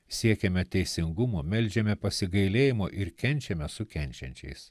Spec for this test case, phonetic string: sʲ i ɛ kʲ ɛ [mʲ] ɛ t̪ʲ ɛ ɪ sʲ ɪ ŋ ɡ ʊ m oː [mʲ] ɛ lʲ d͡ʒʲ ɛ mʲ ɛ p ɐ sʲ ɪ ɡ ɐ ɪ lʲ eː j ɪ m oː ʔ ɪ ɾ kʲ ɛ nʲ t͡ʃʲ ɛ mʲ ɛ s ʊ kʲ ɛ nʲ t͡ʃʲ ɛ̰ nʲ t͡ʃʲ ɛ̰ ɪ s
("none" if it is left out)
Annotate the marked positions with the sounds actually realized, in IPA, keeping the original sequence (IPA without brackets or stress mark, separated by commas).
mʲ, mʲ